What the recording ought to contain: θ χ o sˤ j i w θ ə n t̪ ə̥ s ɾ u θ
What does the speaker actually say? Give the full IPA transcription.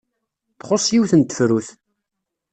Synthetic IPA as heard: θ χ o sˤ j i w θ ə n t̪ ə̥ f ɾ u θ